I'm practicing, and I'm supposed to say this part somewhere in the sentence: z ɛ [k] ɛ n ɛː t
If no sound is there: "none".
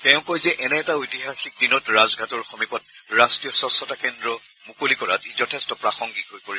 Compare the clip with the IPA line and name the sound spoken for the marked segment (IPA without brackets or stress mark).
ʔ